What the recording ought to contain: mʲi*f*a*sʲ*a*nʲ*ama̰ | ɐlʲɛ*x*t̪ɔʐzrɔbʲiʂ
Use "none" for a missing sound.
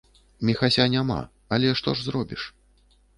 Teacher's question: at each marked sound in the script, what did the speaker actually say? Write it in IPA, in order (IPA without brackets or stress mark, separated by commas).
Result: x, sʲ, nʲ, ʂ